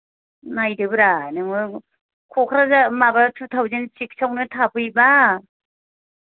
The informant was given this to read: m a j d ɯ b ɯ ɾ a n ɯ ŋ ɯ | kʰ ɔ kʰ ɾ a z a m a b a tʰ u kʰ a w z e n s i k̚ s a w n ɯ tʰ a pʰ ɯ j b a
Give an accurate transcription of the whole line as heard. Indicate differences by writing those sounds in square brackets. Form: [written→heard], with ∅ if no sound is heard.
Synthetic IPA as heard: [m→n] a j d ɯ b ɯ ɾ a n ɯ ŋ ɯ | kʰ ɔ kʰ ɾ a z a m a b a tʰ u [kʰ→tʰ] a w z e n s i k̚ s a w n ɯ tʰ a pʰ ɯ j b a